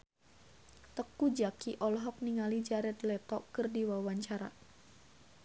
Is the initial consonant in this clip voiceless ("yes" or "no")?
yes